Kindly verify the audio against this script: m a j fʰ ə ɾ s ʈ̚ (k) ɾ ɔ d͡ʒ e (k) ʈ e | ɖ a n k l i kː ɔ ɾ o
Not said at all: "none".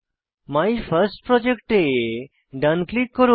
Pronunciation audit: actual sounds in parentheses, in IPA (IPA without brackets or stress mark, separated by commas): p, k